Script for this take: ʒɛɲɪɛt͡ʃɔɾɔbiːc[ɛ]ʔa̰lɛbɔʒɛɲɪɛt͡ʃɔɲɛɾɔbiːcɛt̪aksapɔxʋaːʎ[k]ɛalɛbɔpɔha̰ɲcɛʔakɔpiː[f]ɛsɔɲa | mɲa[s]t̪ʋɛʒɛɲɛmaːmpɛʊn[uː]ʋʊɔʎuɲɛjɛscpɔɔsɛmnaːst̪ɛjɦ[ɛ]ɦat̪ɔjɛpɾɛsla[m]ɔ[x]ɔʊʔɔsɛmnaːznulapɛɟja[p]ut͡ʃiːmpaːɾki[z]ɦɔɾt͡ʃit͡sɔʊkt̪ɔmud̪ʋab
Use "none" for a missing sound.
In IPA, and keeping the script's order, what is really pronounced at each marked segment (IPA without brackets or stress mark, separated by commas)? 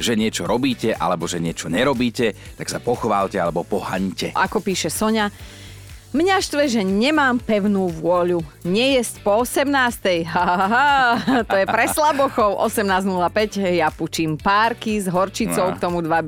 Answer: ɛ, c, ʃ, ʃ, uː, a, b, x, p, z